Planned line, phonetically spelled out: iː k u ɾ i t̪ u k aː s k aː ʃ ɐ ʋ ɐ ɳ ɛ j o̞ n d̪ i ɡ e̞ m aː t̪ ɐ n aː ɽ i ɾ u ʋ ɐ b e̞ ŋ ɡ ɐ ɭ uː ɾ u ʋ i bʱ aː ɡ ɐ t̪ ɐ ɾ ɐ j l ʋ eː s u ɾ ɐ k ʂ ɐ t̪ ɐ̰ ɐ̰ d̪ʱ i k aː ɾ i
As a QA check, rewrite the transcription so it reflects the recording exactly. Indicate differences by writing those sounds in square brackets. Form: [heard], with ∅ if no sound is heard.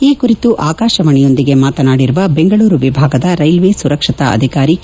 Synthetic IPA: iː k u ɾ i t̪ u [ʔ] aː [∅] k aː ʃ ɐ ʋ ɐ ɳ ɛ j o̞ n d̪ i ɡ e̞ m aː t̪ ɐ n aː ɽ i ɾ u ʋ ɐ b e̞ ŋ ɡ ɐ ɭ uː ɾ u ʋ i bʱ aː ɡ ɐ [d̪] ɐ ɾ ɐ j l ʋ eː s u ɾ ɐ k ʂ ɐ t̪ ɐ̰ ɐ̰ d̪ʱ i k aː ɾ i